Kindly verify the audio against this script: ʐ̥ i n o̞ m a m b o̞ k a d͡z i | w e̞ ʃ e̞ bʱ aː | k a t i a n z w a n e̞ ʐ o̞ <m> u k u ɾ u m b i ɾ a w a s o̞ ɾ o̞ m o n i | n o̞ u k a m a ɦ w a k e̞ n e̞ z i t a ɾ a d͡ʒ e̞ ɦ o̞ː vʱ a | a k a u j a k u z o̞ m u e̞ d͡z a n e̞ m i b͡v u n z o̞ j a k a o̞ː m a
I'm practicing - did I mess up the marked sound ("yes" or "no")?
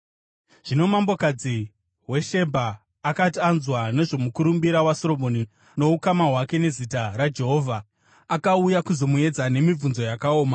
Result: no